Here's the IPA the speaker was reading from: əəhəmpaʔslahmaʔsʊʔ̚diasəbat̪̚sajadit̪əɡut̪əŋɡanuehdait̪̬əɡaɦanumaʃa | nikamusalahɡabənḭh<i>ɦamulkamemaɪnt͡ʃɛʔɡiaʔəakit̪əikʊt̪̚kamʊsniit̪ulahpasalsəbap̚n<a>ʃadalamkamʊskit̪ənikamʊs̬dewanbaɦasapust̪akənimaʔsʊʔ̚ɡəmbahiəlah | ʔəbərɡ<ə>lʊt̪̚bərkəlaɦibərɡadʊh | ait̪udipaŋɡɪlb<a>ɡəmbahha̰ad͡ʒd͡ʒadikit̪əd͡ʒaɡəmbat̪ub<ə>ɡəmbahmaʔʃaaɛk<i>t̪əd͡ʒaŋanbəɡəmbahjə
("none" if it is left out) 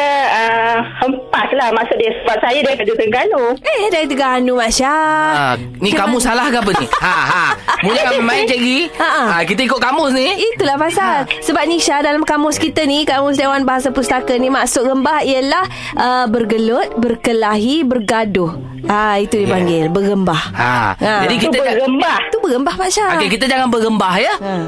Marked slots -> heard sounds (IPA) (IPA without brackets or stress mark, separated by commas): a, i, ə, ə, ə, i